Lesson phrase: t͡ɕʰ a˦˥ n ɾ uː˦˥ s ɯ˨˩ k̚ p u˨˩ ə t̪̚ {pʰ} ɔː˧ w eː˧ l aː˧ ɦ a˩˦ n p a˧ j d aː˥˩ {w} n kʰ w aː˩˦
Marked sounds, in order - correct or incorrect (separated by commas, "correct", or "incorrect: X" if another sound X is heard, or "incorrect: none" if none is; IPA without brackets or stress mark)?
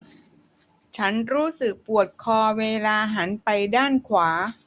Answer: incorrect: kʰ, incorrect: none